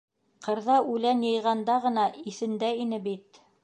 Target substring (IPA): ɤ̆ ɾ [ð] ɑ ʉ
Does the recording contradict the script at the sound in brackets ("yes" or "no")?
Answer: no